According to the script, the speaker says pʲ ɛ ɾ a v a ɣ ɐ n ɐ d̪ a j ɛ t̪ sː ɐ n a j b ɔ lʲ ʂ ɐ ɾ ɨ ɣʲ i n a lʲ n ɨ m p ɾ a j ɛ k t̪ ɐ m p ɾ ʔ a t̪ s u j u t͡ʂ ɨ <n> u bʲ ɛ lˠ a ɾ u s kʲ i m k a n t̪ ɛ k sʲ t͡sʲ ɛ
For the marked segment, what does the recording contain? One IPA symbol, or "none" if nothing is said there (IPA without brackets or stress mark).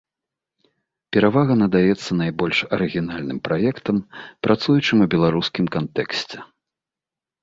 m